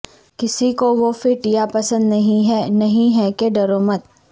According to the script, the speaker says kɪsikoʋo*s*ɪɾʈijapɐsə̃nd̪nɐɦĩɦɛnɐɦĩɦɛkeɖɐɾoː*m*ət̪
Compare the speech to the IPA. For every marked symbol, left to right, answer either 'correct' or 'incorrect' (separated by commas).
incorrect, correct